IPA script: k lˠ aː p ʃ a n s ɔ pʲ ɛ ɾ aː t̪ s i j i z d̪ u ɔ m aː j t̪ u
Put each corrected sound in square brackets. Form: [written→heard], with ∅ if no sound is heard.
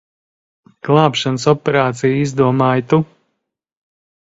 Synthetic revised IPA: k lˠ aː p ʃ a n s ɔ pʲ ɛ ɾ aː t̪ s i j i z d̪ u ɔ m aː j t̪ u

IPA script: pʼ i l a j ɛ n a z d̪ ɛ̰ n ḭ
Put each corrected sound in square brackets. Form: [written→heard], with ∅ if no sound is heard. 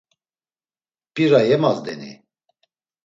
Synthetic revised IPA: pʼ i [l→ɾ] a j ɛ [n→m] a z d̪ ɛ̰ n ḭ

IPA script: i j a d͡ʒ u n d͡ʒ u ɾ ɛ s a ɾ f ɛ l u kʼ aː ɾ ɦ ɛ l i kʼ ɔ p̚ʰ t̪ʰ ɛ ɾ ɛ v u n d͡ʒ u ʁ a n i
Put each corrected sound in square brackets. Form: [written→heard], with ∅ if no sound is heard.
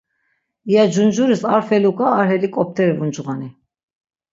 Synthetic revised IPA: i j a d͡ʒ u n d͡ʒ u ɾ [ɛ→i] s a ɾ f ɛ l u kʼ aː ɾ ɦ ɛ l i kʼ ɔ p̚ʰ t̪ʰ ɛ ɾ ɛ v u n d͡ʒ u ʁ a n i

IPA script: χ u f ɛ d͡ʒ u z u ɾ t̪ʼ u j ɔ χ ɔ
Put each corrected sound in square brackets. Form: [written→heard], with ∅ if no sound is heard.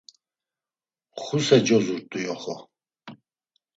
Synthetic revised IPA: χ u [f→s] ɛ d͡ʒ [u→ɔ] z u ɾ t̪ʼ u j ɔ χ ɔ

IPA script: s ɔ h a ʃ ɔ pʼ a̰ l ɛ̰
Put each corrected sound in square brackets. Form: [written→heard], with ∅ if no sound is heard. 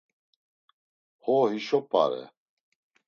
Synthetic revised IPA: [s→h] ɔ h [a→i] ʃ ɔ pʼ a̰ [l→ɾ] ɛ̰

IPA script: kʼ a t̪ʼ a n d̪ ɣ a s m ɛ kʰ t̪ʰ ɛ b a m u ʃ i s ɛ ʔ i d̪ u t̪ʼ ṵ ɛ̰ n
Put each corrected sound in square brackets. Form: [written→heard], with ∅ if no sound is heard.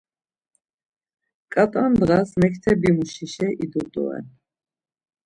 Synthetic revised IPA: kʼ a t̪ʼ a n d̪ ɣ a s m ɛ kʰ t̪ʰ ɛ b [a→i] m u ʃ i [s→ʃ] ɛ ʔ i d̪ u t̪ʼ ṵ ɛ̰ n

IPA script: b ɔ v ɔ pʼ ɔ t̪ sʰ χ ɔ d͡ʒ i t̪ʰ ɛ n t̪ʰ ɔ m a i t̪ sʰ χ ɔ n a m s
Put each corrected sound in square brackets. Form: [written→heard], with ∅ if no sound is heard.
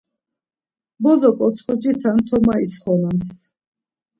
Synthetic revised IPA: b ɔ [v→z] ɔ [pʼ→kʼ] ɔ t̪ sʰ χ ɔ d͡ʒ i t̪ʰ [ɛ→a] n t̪ʰ ɔ m a i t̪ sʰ χ ɔ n a m s

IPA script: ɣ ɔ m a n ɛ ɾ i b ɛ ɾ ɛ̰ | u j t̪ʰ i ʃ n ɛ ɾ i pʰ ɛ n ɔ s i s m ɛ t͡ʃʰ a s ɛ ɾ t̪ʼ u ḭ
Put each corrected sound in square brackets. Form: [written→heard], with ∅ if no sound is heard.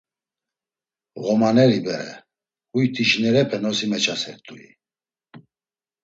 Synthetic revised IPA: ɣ ɔ m a n ɛ ɾ i b ɛ ɾ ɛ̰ | u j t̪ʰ i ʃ n ɛ ɾ [i→ɛ] pʰ ɛ n ɔ s i [s→∅] m ɛ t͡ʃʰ a s ɛ ɾ t̪ʼ u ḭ

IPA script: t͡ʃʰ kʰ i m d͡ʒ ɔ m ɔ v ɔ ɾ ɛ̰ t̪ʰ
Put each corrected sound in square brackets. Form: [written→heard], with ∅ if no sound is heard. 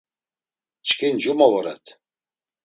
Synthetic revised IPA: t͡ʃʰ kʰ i [m→n] d͡ʒ [ɔ→u] m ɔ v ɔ ɾ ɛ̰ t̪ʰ

